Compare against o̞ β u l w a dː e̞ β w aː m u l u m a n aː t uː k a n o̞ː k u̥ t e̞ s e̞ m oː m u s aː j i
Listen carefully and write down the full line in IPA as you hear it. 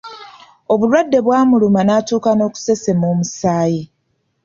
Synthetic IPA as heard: o̞ β u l w a dː e̞ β w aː m u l u m a n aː t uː k a n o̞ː k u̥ s e̞ s e̞ m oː m u s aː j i